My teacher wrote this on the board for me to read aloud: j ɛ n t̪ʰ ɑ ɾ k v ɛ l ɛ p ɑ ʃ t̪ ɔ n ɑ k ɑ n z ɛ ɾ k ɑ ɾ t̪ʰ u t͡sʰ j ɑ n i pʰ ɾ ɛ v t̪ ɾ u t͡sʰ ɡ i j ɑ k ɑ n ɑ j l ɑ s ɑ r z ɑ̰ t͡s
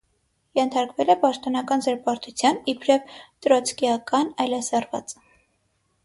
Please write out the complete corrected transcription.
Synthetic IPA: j ɛ n t̪ʰ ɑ ɾ k v ɛ l ɛ p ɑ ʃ t̪ ɔ n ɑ k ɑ n z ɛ ɾ p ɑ ɾ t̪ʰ u t͡sʰ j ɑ n i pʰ ɾ ɛ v t̪ ɾ ɔ t͡sʰ k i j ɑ k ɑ n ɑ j l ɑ s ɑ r v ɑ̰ t͡s